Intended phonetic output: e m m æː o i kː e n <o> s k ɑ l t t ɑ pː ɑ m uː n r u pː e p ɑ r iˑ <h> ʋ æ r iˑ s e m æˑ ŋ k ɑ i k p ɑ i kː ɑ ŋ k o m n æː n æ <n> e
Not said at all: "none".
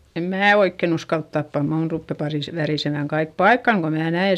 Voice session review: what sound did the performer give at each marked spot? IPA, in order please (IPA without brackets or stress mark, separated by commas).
u, s, none